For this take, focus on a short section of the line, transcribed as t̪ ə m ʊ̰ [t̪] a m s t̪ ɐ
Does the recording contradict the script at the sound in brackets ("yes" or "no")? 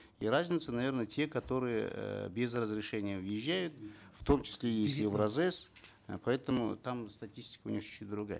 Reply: no